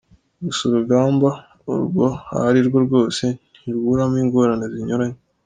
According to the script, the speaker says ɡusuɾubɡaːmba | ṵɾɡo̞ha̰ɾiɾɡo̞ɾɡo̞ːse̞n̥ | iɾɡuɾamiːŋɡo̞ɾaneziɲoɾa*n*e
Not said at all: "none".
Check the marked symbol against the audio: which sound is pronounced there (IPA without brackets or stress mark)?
ɲ